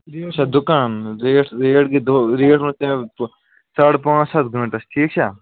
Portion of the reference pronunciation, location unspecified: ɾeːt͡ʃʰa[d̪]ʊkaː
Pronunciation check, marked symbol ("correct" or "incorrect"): correct